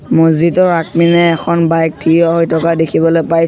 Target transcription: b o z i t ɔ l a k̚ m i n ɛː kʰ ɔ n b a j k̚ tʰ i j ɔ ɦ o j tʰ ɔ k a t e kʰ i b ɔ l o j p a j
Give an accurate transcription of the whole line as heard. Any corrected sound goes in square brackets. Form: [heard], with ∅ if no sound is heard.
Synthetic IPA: [m] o z i t ɔ [ɹ] a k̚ m i n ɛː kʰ ɔ n b a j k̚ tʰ i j ɔ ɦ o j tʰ ɔ k a [d] e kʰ i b ɔ l o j p a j